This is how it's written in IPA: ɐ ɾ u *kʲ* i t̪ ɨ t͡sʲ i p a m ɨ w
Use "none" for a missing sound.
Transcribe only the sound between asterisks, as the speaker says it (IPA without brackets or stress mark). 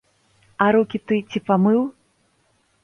kʲ